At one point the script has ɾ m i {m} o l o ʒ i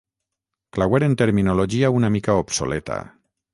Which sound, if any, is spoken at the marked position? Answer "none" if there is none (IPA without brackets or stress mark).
n